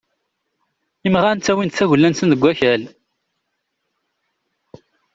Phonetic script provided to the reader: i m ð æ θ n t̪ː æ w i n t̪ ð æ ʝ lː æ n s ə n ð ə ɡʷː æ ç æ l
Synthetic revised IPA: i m ʁ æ n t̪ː æ w i n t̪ θ æ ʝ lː æ n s ə n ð ə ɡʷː æ ç æ l